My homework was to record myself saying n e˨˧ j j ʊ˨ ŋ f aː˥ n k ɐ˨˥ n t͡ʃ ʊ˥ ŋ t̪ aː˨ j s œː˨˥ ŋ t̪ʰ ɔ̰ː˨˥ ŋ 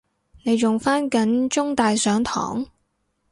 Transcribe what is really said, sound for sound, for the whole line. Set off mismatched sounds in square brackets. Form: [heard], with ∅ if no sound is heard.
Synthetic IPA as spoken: n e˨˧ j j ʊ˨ ŋ f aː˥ n k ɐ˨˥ n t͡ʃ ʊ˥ ŋ t̪ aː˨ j s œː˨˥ ŋ t̪ʰ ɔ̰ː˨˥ ŋ